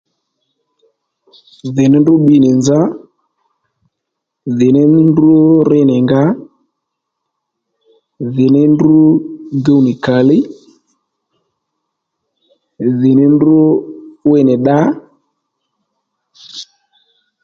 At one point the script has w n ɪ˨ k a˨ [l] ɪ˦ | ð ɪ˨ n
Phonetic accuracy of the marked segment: correct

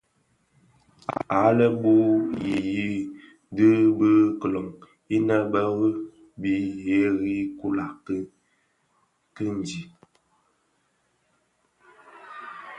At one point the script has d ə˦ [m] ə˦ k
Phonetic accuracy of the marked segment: incorrect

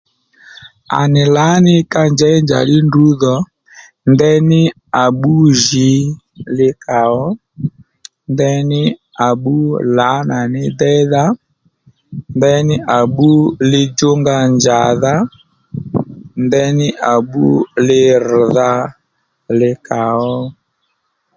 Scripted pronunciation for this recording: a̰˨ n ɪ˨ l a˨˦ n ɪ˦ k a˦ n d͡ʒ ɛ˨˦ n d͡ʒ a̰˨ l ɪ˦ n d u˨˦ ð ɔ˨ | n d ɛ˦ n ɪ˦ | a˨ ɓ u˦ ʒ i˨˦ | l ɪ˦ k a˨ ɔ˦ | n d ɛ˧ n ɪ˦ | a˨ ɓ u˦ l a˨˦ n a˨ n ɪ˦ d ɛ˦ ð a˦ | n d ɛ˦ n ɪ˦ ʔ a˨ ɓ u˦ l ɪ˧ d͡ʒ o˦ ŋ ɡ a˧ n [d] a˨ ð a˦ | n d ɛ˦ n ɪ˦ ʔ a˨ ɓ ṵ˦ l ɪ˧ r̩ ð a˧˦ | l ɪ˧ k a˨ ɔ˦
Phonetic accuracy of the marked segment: incorrect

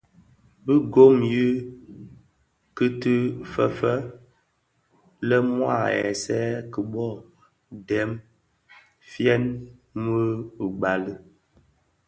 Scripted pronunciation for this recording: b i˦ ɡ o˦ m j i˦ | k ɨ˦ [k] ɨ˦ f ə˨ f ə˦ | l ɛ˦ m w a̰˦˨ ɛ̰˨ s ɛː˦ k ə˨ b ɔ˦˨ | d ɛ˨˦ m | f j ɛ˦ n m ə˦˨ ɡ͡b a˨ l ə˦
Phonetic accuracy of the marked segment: incorrect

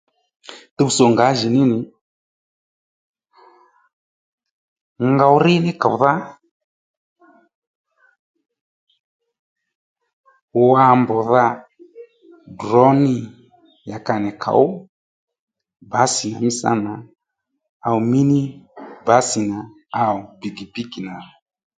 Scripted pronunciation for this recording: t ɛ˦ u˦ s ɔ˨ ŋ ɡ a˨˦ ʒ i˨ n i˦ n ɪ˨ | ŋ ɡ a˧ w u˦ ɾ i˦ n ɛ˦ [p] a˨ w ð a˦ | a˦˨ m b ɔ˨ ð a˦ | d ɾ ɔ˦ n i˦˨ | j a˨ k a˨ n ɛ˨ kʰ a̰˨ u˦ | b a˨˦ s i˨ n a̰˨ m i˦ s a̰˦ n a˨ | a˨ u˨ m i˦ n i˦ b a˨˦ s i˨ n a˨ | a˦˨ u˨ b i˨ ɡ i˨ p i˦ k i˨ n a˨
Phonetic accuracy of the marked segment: incorrect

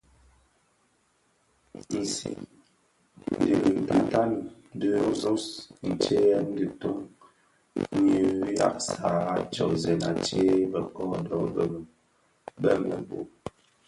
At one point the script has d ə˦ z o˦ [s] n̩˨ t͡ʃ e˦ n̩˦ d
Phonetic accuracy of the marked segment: correct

